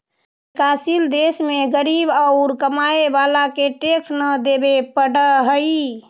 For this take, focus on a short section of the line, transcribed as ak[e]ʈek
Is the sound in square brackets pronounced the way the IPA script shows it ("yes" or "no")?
yes